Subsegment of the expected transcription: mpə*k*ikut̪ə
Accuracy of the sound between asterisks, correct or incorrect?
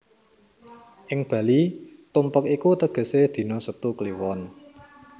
correct